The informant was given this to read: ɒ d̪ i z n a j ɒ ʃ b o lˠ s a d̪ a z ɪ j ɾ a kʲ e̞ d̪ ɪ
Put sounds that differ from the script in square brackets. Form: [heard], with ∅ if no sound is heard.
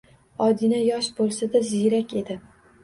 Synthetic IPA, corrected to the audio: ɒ d̪ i [∅] n a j ɒ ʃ b o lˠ s a d̪ a z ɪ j ɾ a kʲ e̞ d̪ ɪ